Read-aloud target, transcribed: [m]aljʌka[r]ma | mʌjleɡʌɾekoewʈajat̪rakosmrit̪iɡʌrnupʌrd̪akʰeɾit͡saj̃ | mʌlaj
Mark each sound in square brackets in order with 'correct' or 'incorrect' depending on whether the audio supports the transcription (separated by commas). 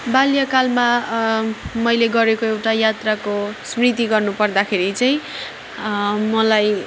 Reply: incorrect, incorrect